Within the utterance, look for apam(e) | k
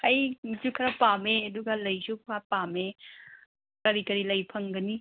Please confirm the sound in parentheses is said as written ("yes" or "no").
yes